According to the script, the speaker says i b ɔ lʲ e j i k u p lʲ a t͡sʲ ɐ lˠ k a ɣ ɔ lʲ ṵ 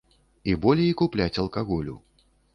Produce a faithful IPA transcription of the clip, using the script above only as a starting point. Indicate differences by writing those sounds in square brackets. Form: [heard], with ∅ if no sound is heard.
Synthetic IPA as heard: i b ɔ lʲ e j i k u p lʲ a t͡sʲ ɐ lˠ k a ɣ ɔ lʲ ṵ